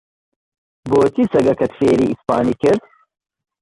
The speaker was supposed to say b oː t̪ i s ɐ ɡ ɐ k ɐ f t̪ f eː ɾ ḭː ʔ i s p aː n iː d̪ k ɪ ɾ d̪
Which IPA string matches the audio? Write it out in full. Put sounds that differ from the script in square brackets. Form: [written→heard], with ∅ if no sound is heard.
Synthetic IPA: b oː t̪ i s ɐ ɡ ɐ k ɐ [f→∅] t̪ f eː ɾ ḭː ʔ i s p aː n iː [d̪→∅] k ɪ ɾ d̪